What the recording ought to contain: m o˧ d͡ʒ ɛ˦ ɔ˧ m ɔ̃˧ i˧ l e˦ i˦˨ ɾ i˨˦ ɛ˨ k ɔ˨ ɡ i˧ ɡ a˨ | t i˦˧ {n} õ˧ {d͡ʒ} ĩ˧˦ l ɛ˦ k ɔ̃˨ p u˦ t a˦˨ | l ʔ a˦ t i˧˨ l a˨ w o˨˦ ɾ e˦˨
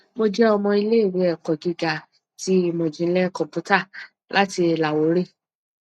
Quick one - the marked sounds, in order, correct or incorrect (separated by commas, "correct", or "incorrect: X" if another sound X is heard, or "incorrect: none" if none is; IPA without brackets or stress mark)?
incorrect: m, correct